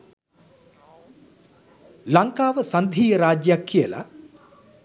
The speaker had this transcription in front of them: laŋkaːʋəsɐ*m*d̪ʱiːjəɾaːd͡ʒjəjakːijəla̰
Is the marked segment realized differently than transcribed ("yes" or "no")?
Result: yes